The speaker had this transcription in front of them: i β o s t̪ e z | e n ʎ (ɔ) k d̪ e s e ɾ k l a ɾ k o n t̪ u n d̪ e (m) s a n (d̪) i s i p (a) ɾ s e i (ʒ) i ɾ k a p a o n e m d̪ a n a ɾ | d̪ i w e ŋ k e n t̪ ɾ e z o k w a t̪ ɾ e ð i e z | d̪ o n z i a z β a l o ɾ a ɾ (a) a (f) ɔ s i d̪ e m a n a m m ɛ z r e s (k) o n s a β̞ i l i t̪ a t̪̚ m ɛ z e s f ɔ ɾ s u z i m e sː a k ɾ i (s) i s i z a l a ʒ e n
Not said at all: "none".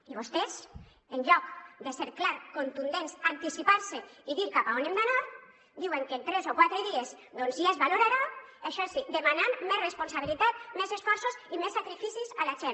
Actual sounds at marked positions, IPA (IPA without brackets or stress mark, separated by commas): ɔ, n, t̪, a, ð, a, ʃ, p, f